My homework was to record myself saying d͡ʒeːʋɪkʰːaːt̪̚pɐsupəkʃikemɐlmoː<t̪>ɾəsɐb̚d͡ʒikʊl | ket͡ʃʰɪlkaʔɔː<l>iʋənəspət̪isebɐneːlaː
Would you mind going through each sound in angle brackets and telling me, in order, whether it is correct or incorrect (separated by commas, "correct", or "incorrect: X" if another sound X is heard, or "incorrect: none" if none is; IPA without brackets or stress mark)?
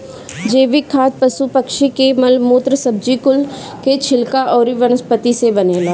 correct, incorrect: ɾ